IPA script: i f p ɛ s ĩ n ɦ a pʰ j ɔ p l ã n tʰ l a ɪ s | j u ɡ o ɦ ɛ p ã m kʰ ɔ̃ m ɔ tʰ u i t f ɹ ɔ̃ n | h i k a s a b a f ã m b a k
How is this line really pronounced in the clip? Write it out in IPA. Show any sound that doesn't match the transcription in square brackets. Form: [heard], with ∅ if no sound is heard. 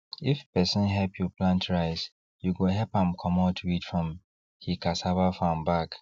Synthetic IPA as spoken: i f p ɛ s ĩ n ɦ [ɛ] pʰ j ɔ p l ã n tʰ [ɹ] a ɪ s | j u ɡ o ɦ ɛ p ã m kʰ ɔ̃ m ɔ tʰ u i t f ɹ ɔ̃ [m] | h i k a s a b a f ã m b a k